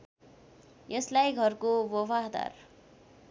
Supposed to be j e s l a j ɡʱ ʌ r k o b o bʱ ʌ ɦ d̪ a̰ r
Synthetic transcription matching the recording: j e s l a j ɡʱ ʌ r k o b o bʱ a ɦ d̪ a̰ r